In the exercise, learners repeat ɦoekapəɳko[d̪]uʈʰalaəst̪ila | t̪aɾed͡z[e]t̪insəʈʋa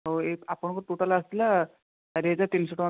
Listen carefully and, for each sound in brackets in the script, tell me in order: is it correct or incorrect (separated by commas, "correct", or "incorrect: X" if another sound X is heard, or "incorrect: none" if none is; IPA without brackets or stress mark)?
incorrect: t̪, incorrect: a